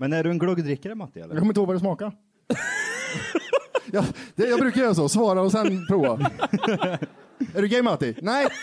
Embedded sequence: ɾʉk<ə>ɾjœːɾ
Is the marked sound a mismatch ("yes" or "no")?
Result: yes